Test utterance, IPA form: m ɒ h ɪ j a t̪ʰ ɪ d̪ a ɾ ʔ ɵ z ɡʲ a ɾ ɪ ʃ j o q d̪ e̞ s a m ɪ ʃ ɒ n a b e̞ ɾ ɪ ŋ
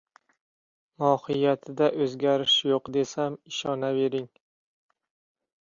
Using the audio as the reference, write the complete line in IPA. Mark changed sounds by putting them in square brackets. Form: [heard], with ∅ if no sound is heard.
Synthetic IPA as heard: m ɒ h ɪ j a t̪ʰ ɪ d̪ a [∅] ʔ ɵ z ɡʲ a ɾ ɪ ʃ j o q d̪ e̞ s a m ɪ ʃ ɒ n a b e̞ ɾ ɪ ŋ